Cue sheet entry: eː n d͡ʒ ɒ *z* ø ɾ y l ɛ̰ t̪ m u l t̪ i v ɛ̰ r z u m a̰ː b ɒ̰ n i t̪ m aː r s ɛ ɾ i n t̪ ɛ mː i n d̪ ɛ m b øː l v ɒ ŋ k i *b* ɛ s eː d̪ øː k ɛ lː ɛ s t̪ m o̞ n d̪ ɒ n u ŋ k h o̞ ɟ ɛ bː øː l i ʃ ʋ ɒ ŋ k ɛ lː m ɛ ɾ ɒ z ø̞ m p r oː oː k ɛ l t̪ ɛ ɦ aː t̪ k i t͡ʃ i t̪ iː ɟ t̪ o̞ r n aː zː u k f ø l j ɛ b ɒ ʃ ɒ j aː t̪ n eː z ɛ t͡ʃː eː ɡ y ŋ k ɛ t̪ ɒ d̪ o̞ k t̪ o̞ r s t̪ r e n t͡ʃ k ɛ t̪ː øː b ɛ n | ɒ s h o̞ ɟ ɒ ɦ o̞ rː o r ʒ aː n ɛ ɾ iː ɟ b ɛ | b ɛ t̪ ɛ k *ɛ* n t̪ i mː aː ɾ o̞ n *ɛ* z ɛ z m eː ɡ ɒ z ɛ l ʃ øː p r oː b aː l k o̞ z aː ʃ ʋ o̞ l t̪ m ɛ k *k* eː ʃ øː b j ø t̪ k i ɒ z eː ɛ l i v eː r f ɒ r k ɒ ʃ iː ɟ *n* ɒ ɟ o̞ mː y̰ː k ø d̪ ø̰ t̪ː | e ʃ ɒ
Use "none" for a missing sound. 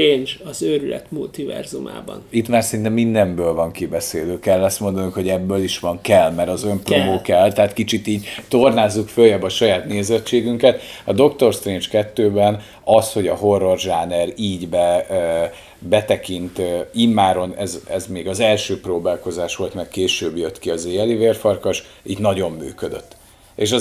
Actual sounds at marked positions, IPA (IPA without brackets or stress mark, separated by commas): z, b, i, ɛ, k, n